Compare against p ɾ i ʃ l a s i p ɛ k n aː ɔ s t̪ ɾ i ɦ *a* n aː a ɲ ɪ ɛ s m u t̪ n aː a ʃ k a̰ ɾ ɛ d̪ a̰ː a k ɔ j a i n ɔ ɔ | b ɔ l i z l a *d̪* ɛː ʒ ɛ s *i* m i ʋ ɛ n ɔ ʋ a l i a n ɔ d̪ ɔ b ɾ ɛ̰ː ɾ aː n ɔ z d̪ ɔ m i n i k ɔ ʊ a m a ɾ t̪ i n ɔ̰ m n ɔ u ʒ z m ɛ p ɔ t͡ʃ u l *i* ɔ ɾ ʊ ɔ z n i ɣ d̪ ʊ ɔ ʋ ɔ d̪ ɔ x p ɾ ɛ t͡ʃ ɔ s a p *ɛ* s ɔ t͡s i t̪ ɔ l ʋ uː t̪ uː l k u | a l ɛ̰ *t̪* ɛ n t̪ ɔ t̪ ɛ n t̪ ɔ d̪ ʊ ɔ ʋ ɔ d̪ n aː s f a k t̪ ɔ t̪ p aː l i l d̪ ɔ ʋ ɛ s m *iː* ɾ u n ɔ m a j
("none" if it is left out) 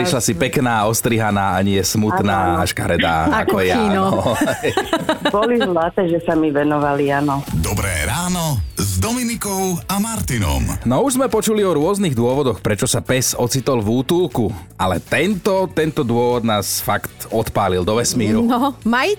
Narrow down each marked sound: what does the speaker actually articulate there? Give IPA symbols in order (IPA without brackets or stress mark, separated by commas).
a, t̪, a, i, ɛ, t̪, iː